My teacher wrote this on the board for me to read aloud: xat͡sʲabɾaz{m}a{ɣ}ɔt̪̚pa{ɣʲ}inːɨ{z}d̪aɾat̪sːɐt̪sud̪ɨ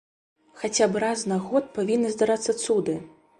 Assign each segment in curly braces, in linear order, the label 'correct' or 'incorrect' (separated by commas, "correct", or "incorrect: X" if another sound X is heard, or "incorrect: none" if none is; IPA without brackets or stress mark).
incorrect: n, correct, incorrect: vʲ, correct